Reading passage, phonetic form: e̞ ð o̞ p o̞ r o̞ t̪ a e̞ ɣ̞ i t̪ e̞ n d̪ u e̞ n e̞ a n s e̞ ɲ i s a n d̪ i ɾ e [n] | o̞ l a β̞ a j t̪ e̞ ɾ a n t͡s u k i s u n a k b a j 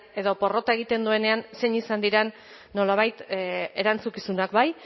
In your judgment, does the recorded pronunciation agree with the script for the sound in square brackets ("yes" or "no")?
no